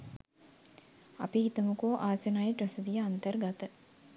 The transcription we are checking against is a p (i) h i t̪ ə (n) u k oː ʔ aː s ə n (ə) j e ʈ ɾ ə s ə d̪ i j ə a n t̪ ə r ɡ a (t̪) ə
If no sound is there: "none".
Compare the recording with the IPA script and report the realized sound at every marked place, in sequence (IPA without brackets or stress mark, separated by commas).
i, m, a, t̪